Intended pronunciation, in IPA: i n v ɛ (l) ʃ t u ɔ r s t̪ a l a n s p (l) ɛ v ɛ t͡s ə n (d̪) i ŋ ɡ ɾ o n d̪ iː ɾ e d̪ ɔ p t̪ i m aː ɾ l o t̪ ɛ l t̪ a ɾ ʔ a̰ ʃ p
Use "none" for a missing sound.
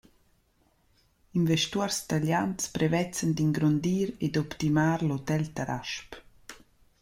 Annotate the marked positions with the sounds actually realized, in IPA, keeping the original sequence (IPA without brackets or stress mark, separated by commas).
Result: none, ɾ, d̪